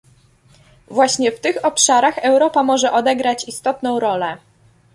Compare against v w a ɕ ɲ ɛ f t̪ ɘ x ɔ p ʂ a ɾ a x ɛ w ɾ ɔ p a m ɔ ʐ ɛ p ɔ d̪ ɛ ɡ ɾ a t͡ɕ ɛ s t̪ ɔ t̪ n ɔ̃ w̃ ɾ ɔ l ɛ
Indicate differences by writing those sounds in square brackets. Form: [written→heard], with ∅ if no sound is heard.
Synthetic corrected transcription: v w a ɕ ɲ ɛ f t̪ ɘ x ɔ p ʂ a ɾ a x ɛ w ɾ ɔ p a m ɔ ʐ ɛ [p→ʔ] ɔ d̪ ɛ ɡ ɾ a t͡ɕ [ɛ→i] s t̪ ɔ t̪ n ɔ̃ w̃ ɾ ɔ l ɛ